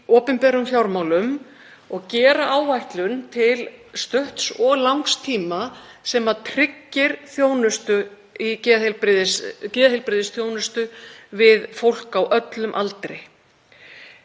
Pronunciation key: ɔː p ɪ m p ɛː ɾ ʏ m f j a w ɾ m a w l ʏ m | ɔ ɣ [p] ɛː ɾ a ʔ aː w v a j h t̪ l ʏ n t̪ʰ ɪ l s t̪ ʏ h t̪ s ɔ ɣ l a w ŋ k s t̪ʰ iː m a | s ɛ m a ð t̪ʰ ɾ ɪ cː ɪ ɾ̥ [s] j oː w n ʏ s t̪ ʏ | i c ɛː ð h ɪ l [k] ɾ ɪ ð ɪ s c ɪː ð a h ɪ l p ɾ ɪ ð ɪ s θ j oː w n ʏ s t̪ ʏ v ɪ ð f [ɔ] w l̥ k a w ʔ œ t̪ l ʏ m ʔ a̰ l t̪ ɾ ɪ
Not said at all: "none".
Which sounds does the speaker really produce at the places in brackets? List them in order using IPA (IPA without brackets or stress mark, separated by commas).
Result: c, θ, p, o